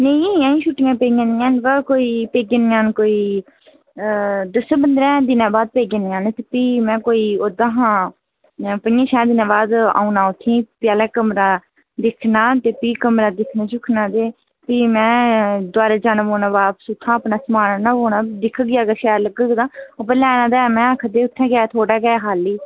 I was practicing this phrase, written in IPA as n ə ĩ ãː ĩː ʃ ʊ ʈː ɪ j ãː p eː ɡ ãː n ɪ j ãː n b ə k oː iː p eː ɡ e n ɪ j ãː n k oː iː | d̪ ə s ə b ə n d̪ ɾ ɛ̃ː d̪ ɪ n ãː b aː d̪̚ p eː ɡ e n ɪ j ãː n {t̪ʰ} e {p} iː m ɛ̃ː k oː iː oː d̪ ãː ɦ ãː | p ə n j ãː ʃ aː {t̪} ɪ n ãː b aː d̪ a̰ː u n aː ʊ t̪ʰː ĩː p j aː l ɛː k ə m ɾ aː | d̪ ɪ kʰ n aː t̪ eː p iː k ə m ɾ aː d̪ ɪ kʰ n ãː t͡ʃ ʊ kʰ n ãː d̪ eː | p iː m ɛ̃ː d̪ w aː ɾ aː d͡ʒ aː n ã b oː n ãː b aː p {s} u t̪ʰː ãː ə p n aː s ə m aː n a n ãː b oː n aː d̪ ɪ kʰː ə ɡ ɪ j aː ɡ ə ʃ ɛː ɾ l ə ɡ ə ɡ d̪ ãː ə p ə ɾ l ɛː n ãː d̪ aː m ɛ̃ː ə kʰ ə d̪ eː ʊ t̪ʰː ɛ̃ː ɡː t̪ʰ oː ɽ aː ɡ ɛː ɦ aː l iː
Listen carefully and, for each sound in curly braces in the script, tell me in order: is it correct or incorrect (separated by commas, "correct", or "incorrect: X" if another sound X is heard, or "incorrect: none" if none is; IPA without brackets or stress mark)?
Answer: incorrect: t̪, correct, incorrect: d̪, correct